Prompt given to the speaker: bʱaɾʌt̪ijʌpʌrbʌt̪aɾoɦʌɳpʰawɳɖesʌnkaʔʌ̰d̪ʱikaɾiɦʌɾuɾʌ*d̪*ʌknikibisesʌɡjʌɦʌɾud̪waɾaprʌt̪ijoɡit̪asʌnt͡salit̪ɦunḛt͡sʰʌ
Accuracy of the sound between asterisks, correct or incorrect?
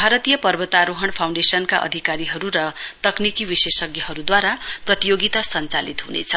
incorrect